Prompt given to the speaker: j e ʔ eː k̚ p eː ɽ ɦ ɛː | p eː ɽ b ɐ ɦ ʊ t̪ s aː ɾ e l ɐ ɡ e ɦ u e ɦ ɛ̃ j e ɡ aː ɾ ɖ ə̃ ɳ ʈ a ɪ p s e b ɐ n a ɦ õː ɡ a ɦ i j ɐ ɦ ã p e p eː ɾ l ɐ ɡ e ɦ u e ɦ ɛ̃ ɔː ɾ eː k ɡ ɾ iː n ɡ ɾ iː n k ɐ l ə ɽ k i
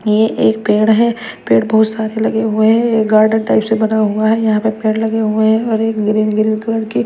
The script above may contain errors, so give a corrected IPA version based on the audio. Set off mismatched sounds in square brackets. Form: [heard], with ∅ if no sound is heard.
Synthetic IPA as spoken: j e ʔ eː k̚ p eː ɽ ɦ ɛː | p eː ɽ b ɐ ɦ ʊ t̪ s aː ɾ e l ɐ ɡ e ɦ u e ɦ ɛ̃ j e ɡ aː ɾ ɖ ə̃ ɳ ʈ a ɪ p s e b ɐ n a ɦ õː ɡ a ɦ [ɛ] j ɐ ɦ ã p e p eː [ɽ] l ɐ ɡ e ɦ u e ɦ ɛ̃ ɔː ɾ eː k ɡ ɾ iː n ɡ ɾ iː n k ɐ l ə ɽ k i